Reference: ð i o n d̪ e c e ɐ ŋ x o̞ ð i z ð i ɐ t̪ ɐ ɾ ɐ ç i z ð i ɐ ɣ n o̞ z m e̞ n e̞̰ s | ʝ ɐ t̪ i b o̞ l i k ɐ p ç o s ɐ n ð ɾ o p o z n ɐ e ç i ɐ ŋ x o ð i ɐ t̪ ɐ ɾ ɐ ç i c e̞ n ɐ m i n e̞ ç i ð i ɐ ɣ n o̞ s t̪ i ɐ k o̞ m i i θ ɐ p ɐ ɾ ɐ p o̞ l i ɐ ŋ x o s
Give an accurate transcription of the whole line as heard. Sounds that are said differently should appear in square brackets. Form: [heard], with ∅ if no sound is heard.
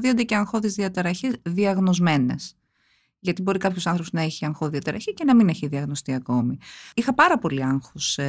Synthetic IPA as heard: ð i o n d̪ e c e ɐ ŋ x o̞ ð i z ð i ɐ t̪ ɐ ɾ ɐ ç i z ð i ɐ ɣ n o̞ z m e̞ n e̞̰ s | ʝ ɐ t̪ i b o̞ [ɾ] i k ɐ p ç o s ɐ n [θ] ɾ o p o z n ɐ e ç i ɐ ŋ x o ð i ɐ t̪ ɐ ɾ ɐ ç i c e̞ n ɐ m i n e̞ ç i ð i ɐ ɣ n o̞ s t̪ i ɐ k o̞ m i i [x] ɐ p ɐ ɾ ɐ p o̞ l i ɐ ŋ x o s